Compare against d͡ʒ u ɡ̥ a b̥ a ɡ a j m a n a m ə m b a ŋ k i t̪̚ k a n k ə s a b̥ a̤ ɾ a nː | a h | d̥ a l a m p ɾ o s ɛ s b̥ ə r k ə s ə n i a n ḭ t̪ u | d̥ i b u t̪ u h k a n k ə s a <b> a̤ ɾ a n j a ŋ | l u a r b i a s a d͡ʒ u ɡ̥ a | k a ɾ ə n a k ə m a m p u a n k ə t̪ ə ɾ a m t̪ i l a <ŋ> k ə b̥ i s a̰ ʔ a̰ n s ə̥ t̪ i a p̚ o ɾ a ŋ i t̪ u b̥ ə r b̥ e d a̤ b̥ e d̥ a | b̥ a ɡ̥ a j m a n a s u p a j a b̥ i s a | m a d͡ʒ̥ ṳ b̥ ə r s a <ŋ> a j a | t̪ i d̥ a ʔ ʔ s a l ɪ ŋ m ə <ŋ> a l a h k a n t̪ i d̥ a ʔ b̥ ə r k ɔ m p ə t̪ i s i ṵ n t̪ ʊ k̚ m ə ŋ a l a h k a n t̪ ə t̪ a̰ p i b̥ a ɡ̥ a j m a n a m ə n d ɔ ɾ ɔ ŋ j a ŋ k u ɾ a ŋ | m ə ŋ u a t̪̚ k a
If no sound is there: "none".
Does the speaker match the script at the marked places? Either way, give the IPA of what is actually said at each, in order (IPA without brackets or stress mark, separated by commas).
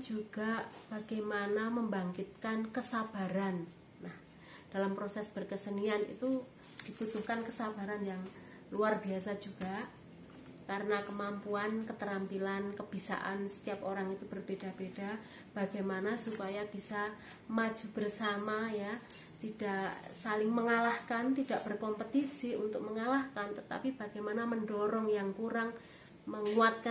b, n, m, ŋ